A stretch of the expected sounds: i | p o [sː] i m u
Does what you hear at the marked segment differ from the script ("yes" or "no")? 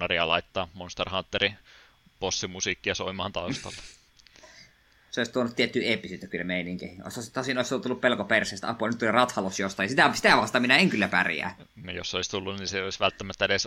no